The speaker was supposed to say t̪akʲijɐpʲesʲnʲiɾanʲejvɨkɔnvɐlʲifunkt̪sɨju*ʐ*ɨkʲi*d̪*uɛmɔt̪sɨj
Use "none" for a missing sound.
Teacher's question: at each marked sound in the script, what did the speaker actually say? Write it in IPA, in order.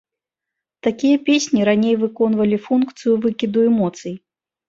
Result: v, d̪

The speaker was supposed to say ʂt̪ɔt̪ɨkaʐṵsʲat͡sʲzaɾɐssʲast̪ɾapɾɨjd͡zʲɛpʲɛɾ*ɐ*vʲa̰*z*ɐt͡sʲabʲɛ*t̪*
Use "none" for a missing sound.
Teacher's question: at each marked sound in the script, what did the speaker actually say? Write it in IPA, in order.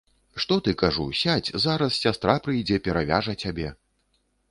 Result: a, ʐ, none

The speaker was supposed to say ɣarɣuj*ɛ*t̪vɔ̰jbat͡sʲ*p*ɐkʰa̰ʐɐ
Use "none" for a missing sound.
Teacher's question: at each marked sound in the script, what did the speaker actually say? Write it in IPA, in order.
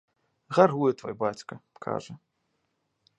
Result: ɛ, k

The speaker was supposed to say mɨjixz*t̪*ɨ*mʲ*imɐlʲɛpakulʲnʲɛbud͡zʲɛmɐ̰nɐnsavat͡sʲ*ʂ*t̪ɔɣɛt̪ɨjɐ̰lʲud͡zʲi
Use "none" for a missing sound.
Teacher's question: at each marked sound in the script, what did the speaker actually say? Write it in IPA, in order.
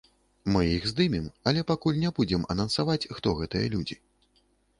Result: d̪, mʲ, x

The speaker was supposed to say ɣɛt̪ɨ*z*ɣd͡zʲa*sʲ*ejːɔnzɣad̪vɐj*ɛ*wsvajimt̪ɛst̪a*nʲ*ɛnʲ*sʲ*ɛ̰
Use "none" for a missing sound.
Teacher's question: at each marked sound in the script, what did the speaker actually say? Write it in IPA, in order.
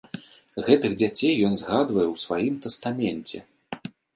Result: none, t͡sʲ, ɛ, mʲ, t͡sʲ

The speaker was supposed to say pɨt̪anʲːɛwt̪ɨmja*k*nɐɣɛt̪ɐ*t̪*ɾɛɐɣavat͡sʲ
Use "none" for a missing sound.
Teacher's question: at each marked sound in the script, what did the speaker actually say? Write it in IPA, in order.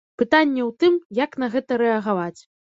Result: k, none

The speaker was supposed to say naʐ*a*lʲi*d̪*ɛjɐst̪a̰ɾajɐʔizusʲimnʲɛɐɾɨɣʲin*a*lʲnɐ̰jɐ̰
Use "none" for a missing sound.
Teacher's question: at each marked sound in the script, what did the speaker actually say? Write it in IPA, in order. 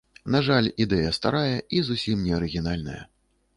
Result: a, d̪, a

